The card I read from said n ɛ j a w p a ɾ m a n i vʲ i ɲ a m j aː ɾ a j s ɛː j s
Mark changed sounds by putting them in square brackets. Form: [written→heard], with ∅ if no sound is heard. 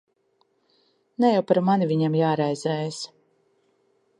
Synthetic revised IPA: n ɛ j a w p a ɾ m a n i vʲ i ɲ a m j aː ɾ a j [s→z] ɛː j s